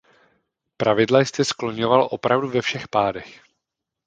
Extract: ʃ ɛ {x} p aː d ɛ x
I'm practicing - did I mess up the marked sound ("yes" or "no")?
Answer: no